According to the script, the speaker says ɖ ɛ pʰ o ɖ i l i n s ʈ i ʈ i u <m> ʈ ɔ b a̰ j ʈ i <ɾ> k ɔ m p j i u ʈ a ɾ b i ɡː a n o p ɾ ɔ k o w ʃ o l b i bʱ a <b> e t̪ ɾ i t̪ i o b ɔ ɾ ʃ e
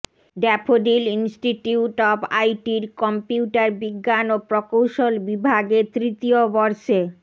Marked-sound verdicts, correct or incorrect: incorrect: none, correct, incorrect: ɡ

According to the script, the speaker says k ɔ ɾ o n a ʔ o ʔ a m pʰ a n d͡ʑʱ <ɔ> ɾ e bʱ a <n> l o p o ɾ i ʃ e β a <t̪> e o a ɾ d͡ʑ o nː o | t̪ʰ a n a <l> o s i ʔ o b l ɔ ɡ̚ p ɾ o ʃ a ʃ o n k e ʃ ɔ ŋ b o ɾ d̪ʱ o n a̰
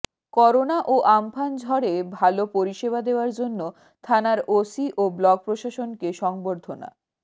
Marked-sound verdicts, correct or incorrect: correct, incorrect: none, incorrect: d̪, incorrect: ɾ

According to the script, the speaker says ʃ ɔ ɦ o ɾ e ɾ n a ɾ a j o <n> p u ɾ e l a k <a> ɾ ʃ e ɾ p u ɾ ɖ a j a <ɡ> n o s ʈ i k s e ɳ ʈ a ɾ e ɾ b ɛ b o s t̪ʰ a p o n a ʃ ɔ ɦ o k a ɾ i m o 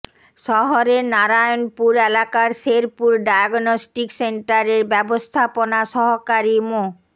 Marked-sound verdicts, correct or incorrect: correct, correct, correct

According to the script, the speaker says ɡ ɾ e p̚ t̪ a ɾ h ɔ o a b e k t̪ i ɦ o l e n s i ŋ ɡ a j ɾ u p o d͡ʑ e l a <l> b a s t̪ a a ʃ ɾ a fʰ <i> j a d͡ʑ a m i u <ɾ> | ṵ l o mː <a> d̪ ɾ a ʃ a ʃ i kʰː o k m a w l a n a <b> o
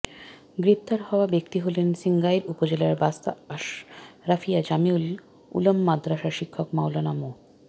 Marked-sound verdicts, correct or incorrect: incorrect: ɾ, correct, incorrect: l, correct, incorrect: m

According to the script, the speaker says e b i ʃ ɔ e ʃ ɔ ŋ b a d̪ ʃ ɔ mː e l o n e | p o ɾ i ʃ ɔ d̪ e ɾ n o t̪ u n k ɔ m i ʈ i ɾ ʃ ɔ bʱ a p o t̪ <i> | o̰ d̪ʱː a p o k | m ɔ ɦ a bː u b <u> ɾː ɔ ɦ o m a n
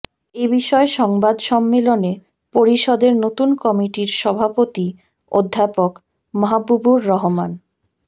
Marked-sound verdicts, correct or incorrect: correct, correct

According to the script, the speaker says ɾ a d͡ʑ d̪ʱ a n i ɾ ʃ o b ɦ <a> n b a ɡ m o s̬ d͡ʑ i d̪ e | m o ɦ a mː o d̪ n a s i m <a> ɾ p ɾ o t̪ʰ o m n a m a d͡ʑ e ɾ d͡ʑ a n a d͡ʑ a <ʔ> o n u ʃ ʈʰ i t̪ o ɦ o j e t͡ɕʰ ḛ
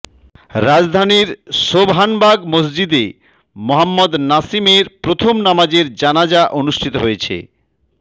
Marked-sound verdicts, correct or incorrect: correct, incorrect: e, correct

